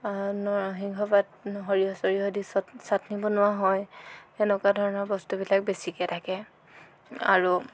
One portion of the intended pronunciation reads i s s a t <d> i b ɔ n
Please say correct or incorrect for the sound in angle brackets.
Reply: incorrect